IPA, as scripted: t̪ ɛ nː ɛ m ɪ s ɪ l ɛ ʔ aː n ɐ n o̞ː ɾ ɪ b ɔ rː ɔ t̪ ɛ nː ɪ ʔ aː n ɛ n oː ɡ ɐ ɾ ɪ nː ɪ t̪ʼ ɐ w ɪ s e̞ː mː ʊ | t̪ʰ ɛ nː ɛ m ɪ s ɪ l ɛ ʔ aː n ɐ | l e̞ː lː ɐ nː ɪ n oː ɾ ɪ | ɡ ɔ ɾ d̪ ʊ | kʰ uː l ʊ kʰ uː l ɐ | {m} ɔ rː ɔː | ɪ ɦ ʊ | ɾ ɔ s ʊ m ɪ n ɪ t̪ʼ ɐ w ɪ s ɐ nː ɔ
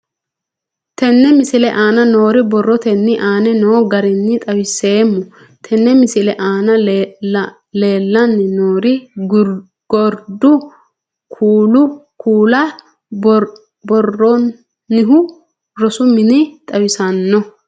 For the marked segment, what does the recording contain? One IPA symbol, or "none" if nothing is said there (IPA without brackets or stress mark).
b